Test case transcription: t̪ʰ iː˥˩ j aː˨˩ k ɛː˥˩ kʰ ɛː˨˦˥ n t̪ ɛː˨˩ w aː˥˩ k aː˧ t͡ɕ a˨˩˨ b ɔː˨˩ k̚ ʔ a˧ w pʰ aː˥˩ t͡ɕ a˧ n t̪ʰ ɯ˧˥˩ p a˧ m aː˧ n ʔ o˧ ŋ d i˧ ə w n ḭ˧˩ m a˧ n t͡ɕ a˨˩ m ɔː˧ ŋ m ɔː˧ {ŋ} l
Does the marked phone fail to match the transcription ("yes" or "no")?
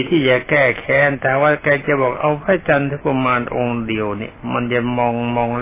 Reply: no